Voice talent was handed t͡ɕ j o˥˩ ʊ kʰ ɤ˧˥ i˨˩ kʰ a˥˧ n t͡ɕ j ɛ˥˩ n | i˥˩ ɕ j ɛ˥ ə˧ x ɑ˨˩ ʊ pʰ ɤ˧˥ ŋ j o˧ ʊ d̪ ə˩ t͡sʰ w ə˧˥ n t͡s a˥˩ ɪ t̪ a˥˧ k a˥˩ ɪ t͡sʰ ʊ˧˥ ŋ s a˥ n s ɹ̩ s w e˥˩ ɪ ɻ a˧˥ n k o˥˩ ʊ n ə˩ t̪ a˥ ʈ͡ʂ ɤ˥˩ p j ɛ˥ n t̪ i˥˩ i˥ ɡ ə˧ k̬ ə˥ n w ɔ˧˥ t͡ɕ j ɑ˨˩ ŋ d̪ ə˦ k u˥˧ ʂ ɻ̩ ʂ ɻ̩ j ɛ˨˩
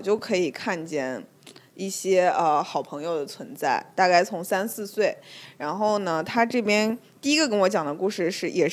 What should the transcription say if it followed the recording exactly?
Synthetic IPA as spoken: t͡ɕ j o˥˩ ʊ kʰ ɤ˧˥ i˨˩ kʰ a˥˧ n t͡ɕ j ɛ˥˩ n | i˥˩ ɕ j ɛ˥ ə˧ x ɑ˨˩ ʊ pʰ ɤ˧˥ ŋ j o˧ ʊ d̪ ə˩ t͡sʰ w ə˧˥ n t͡s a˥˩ ɪ t̪ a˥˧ k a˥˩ ɪ t͡sʰ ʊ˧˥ ŋ s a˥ n s ɹ̩ s w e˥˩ ɪ ɻ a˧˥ n x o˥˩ ʊ n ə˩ t̪ʰ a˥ ʈ͡ʂ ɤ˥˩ p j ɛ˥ n t̪ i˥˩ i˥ ɡ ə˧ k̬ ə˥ n w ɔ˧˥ t͡ɕ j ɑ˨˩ ŋ d̪ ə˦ k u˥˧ ʂ ɻ̩ ʂ ɻ̩ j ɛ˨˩